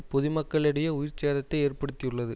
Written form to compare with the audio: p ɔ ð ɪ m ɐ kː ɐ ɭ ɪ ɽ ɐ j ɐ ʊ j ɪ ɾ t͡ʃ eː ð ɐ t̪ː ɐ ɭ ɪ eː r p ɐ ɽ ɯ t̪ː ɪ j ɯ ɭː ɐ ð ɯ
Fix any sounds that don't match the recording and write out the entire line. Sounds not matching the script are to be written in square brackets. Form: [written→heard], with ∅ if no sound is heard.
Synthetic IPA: p ɔ ð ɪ m ɐ kː ɐ ɭ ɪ ɽ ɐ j ɐ ʊ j ɪ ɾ t͡ʃ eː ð ɐ t̪ː ɐ [ɭ→∅] ɪ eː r p ɐ ɽ ɯ t̪ː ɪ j ɯ ɭː ɐ ð ɯ